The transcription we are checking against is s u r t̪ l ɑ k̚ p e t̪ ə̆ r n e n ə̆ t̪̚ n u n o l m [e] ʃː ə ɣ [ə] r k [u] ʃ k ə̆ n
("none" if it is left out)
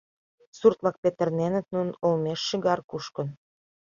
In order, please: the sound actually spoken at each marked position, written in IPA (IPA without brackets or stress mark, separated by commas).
e, ɑ, u